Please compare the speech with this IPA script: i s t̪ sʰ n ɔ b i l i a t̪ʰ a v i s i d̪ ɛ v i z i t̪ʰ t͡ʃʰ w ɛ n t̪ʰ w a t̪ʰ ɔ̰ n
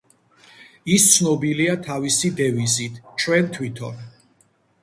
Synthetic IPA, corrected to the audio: i s t̪ sʰ n ɔ b i l i a t̪ʰ a v i s i d̪ ɛ v i z i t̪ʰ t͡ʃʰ w ɛ n t̪ʰ w i t̪ʰ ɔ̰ n